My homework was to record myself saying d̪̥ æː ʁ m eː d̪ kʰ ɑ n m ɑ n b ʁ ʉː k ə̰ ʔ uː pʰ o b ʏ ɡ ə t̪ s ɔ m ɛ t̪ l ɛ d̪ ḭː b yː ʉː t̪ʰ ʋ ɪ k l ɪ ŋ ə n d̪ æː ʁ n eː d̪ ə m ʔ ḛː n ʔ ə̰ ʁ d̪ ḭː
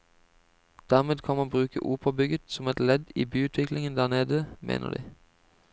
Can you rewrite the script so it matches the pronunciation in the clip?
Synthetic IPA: d̪̥ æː ʁ m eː d̪ kʰ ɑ n m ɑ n b ʁ ʉː k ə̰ ʔ uː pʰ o b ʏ ɡ ə t̪ s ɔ m ɛ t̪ l ɛ d̪ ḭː b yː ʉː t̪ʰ ʋ ɪ k l ɪ ŋ ə n d̪ æː ʁ n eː d̪ ə m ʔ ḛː n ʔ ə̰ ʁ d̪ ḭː